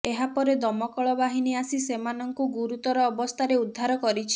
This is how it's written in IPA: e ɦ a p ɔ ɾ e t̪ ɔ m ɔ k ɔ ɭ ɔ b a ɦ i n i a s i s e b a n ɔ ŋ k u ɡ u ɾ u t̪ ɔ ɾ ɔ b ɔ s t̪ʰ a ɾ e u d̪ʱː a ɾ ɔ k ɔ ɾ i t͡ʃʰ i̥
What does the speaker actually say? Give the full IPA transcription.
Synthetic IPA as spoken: e ɦ a p ɔ ɾ e d̪ ɔ m ɔ k ɔ ɭ ɔ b a ɦ i n i a s i s e m a n ɔ ŋ k u ɡ u ɾ u t̪ ɔ ɾ ɔː b ɔ s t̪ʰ a ɾ e u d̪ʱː a ɾ ɔ k ɔ ɾ i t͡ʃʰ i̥